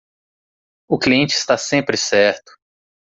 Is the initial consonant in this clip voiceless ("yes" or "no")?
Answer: yes